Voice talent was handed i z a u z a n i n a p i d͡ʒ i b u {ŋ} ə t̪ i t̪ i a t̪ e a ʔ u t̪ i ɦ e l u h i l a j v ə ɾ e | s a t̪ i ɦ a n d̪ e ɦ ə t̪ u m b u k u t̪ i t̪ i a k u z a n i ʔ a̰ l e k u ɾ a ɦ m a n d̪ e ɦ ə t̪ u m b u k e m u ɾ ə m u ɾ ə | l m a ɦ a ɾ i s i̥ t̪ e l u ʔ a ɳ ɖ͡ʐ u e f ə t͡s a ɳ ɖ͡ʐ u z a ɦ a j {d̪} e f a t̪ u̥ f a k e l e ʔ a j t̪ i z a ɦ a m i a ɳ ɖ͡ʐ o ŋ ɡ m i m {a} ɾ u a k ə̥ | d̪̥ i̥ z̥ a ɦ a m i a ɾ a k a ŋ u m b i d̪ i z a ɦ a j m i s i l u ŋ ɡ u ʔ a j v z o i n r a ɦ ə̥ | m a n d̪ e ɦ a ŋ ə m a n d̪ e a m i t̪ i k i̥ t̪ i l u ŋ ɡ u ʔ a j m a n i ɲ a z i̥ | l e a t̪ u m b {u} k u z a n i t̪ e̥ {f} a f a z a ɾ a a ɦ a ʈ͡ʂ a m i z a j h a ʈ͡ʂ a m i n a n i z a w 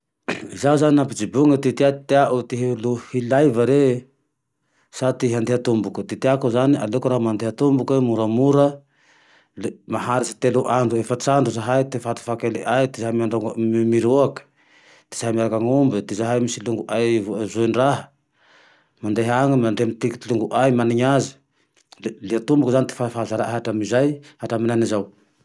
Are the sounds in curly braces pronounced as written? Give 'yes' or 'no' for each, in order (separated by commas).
yes, no, no, yes, yes